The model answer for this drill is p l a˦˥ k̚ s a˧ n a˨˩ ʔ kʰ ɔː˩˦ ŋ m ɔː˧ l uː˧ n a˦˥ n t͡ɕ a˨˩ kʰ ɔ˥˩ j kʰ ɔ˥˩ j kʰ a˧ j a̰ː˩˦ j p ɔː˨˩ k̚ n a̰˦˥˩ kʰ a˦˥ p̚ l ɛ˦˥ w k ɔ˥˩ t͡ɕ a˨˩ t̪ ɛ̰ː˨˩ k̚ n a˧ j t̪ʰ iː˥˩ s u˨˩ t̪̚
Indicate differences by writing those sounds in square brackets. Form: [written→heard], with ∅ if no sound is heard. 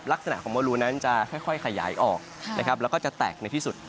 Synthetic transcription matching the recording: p l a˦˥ k̚ s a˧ n a˨˩ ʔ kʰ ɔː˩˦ ŋ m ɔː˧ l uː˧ n a˦˥ n t͡ɕ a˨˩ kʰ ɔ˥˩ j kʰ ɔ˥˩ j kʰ a˧ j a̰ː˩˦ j [p→ʔ] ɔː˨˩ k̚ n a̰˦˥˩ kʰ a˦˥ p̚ l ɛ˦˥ w k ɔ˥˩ t͡ɕ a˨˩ t̪ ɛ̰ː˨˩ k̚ n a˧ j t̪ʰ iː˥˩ s u˨˩ t̪̚